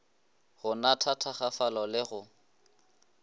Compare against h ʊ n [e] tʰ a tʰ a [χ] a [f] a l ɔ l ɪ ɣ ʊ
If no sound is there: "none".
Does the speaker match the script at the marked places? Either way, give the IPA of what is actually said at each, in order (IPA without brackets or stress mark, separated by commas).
a, χ, f